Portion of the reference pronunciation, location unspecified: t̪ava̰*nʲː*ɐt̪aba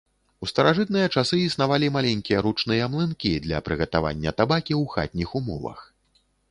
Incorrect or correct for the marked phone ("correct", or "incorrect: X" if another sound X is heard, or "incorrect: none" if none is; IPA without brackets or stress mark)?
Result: correct